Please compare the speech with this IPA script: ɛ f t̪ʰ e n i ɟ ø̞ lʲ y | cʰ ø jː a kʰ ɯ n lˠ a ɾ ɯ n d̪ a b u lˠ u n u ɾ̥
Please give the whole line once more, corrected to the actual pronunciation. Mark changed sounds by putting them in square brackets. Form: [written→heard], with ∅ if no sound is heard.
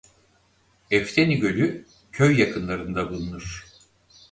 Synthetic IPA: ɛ f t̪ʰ e n i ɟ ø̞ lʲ y | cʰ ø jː a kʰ ɯ n lˠ a ɾ ɯ n d̪ a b u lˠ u n u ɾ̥